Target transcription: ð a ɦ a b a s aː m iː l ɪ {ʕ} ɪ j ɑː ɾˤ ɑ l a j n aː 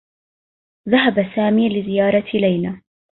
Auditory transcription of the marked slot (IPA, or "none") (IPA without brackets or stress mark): z